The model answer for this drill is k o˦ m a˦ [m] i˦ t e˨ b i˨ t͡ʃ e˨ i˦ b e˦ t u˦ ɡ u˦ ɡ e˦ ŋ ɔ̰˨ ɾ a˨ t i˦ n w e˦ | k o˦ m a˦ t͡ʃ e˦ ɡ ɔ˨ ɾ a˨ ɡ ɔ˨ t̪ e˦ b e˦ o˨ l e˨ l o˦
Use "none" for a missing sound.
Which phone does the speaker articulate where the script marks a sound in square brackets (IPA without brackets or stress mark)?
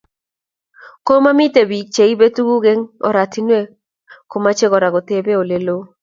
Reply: m